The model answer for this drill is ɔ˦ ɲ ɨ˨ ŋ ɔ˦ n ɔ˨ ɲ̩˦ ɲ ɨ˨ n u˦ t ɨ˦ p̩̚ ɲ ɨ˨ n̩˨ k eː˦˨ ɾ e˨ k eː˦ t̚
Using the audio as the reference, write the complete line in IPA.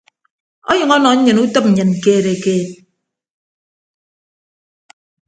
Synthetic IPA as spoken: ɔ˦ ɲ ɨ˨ ŋ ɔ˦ n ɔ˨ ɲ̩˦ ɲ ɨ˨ n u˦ t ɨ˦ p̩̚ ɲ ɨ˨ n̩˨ k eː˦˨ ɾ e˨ k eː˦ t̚